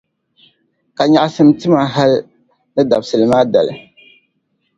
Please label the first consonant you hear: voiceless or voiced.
voiceless